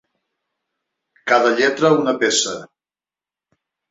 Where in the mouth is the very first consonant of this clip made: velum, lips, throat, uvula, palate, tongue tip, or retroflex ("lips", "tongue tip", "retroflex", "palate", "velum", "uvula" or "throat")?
velum